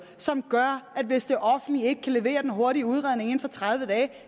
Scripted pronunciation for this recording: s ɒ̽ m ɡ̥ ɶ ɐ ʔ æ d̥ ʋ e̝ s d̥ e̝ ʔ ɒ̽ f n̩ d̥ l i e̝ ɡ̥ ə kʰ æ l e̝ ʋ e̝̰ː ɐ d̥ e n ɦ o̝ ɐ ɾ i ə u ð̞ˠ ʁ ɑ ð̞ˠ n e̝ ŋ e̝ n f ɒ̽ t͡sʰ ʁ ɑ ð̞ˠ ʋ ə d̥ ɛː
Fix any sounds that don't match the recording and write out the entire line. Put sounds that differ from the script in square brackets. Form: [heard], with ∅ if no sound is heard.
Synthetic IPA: s ɒ̽ m ɡ̥ ɶ ɐ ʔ æ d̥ ʋ e̝ s d̥ e̝ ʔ ɒ̽ f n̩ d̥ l i e̝ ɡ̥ ə kʰ æ l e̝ ʋ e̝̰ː ɐ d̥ e n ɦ o̝ ɐ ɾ i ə u ð̞ˠ ʁ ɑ ð̞ˠ n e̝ ŋ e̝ n f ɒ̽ t͡sʰ ʁ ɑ ð̞ˠ ʋ ə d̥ ɛː